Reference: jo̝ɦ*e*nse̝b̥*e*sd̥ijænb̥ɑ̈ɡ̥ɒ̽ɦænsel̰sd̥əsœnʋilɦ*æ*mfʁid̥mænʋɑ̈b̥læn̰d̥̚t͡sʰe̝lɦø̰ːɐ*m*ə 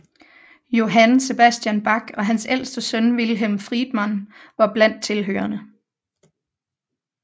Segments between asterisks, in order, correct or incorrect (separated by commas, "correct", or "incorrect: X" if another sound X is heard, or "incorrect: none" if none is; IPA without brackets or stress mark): incorrect: æ, incorrect: æ, incorrect: e, incorrect: n